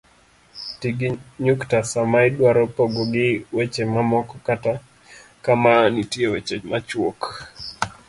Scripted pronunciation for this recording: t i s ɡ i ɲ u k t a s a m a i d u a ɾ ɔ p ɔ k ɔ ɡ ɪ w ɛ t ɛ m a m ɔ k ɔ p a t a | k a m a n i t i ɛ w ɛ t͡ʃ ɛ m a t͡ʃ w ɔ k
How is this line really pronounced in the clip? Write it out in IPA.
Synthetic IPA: t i ɡ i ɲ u k t a s a m a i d w a ɾ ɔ p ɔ ɡ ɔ ɡ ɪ w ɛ t͡ʃ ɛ m a m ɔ k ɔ k a t a | k a m a n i t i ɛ w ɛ t͡ʃ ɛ m a t͡ʃ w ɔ k